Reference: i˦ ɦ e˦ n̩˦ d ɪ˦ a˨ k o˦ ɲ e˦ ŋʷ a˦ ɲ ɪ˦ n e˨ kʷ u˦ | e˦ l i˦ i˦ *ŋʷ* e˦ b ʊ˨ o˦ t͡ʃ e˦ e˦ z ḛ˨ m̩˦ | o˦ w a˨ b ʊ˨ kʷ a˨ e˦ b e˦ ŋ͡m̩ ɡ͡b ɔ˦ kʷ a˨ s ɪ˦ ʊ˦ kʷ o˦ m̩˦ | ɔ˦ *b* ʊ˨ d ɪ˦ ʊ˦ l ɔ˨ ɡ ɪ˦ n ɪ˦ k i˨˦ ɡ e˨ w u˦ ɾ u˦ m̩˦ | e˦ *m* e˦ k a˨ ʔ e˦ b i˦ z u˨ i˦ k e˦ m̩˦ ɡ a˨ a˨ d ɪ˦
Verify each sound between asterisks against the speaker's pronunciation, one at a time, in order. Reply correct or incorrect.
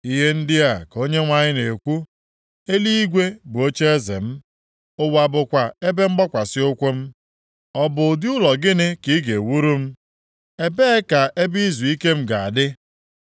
incorrect, correct, incorrect

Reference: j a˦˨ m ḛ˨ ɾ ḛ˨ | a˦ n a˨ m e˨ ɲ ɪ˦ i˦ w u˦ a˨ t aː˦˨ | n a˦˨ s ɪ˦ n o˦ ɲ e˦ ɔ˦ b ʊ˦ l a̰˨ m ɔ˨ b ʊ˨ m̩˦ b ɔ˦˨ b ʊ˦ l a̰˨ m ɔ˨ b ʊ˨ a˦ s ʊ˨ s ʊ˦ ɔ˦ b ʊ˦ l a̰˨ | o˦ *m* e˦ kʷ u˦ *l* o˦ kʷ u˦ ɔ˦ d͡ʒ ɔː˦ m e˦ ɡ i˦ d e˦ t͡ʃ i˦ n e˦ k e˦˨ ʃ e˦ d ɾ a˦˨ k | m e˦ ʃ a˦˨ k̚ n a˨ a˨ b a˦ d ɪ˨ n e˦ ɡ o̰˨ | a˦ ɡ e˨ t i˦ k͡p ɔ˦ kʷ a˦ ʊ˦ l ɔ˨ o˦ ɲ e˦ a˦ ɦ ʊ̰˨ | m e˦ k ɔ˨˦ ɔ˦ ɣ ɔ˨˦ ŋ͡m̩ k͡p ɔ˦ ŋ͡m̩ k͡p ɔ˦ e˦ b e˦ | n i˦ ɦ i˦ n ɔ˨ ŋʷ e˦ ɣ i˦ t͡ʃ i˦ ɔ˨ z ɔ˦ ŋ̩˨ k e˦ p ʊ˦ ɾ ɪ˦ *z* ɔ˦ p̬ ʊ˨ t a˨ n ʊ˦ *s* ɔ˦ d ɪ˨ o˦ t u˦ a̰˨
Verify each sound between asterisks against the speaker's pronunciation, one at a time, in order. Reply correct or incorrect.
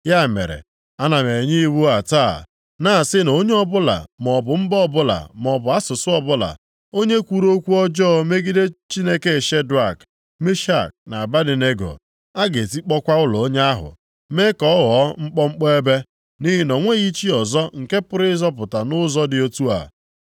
incorrect, incorrect, correct, incorrect

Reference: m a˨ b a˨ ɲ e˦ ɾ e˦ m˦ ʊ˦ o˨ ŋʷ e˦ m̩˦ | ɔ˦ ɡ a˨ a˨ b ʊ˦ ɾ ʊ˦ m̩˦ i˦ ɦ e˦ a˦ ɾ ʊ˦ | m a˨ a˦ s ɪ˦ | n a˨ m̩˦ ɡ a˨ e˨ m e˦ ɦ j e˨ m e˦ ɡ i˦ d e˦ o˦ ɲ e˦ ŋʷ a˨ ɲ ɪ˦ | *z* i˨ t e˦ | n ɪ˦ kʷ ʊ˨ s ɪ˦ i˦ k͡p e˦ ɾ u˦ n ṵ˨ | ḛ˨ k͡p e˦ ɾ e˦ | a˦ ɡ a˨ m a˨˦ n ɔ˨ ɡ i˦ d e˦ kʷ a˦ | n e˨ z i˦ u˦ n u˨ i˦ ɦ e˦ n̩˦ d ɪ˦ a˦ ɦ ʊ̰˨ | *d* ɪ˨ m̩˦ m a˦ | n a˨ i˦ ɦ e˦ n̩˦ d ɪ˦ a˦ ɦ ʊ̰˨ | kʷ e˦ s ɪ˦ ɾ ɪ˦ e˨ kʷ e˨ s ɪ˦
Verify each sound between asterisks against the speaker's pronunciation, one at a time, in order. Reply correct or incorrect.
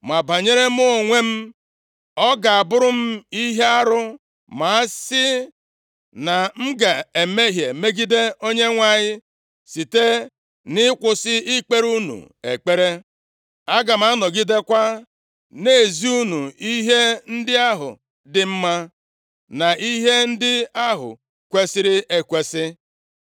incorrect, correct

